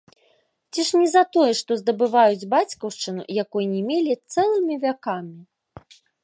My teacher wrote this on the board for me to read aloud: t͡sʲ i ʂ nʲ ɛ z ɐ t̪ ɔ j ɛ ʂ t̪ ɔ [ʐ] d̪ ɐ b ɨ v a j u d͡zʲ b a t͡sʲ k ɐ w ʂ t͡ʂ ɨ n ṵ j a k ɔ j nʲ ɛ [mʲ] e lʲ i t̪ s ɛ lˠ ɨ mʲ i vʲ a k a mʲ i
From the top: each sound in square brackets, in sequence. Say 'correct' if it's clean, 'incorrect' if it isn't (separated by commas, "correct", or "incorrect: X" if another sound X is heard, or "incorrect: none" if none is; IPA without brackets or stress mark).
incorrect: z, correct